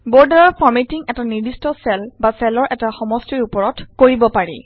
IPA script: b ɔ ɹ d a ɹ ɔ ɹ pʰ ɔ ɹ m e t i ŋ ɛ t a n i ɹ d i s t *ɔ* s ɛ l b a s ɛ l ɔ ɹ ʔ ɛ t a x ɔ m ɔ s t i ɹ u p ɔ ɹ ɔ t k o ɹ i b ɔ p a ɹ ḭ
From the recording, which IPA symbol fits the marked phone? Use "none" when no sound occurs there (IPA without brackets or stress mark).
ɔ